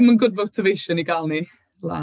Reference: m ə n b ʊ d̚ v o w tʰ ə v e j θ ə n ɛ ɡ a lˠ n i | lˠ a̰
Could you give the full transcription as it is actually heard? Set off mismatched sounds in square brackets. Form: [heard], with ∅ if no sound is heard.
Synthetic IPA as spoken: m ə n [ɡ] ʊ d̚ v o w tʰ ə v e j [ʃ] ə n [i] ɡ a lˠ n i | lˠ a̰